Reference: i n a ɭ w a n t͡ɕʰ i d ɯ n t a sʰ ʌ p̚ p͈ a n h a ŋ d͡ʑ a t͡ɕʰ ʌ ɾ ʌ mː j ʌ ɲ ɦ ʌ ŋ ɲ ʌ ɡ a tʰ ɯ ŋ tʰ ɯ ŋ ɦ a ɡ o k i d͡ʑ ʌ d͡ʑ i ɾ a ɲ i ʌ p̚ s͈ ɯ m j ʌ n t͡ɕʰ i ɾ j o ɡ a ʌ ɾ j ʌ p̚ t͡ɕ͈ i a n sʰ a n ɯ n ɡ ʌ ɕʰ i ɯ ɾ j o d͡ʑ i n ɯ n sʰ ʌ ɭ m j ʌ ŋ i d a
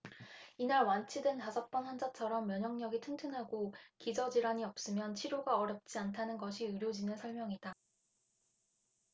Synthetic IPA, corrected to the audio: i n a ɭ w a n t͡ɕʰ i d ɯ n t a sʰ ʌ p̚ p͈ ʌ n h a n d͡ʑ a t͡ɕʰ ʌ ɾ ʌ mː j ʌ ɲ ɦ ʌ ŋ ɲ ʌ ɡ i tʰ ɯ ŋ tʰ ɯ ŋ ɦ a ɡ o k i d͡ʑ ʌ d͡ʑ i ɾ a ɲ i ʌ p̚ s͈ ɯ m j ʌ n t͡ɕʰ i ɾ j o ɡ a ʌ ɾ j ʌ p̚ t͡ɕ͈ i a n tʰ a n ɯ n ɡ ʌ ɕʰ i ɯ ɾ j o d͡ʑ i n ɯ n sʰ ʌ ɭ m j ʌ ŋ i d a